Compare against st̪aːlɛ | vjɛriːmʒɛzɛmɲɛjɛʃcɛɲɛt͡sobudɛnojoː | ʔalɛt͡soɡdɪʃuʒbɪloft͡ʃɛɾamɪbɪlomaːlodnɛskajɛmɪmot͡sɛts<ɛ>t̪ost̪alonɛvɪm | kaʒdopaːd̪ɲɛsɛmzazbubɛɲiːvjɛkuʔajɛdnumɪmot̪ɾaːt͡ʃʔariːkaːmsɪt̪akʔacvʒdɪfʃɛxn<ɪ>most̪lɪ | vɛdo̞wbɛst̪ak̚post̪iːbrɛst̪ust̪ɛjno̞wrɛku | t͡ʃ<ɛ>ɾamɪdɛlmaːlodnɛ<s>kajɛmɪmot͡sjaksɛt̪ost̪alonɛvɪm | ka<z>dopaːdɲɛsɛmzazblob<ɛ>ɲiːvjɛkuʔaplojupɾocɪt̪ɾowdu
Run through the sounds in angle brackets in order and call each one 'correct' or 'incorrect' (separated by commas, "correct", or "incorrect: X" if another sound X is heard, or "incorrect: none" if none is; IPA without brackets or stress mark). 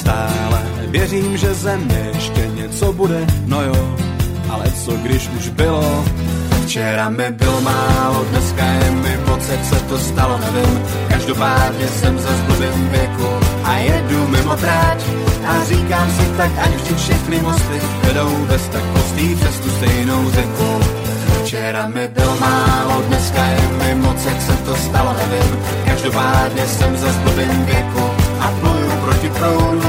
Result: correct, correct, correct, correct, incorrect: ʒ, correct